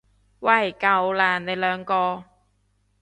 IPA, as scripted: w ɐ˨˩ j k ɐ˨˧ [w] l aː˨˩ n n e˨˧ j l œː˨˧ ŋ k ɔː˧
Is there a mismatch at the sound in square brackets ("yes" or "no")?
no